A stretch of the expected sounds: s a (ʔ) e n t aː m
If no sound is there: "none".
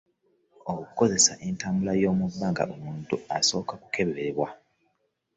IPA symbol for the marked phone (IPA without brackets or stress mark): ʔ